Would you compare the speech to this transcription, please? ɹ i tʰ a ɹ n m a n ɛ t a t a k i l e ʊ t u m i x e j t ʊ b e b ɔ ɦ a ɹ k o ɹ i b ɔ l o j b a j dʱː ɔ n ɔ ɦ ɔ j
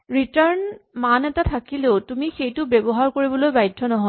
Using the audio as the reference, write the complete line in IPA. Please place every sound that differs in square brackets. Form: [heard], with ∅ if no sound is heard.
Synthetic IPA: ɹ i [t] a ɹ n m a n ɛ t a [tʰ] a k i l e ʊ t u m i x e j t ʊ b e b ɔ ɦ a ɹ k o ɹ i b ɔ l o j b a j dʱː ɔ n ɔ ɦ ɔ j